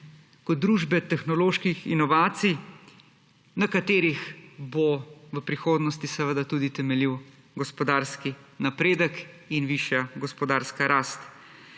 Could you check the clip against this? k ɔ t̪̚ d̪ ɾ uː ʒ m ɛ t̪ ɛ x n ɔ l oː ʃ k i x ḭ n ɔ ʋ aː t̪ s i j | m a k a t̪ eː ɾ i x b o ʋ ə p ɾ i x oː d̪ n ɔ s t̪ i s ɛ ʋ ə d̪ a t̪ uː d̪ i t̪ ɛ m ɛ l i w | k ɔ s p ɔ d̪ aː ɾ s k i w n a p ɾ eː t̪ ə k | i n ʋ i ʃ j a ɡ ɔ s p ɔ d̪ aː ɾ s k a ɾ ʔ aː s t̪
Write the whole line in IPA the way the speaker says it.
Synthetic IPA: k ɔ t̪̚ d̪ ɾ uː ʒ b ɛ t̪ ɛ x n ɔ l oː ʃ k i x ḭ n ɔ ʋ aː t̪ s i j | n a k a t̪ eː ɾ i x b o ʋ ə p ɾ i x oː d̪ n ɔ s t̪ i s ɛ ʋ ə d̪ a t̪ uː d̪ i t̪ ɛ m ɛ l i w | ɡ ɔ s p ɔ d̪ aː ɾ s k i n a p ɾ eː d̪ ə k | i n ʋ i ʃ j a ɡ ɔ s p ɔ d̪ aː ɾ s k a ɾ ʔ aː s t̪